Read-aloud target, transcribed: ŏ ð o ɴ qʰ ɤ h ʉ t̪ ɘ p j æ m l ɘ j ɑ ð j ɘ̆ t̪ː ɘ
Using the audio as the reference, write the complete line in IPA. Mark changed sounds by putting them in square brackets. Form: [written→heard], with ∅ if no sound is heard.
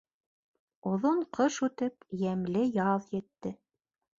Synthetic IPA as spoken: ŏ ð o ɴ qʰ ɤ [h→ʃ] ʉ t̪ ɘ p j æ m l ɘ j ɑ ð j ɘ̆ t̪ː ɘ